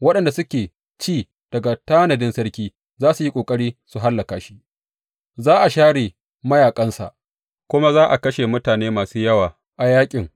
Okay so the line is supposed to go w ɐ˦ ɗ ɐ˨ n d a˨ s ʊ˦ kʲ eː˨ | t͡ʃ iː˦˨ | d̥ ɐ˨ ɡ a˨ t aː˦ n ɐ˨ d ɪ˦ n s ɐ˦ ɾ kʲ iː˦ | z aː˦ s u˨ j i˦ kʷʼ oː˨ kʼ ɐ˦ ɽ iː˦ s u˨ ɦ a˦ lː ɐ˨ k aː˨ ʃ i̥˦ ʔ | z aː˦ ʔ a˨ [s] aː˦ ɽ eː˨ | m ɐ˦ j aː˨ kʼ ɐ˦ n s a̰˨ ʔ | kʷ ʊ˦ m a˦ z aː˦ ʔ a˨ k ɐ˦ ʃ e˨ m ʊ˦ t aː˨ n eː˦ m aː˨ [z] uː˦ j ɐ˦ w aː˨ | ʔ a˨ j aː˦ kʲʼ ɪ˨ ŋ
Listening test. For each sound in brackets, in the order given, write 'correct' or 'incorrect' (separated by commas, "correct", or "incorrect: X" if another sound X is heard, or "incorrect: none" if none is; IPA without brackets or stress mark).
incorrect: ʃ, incorrect: s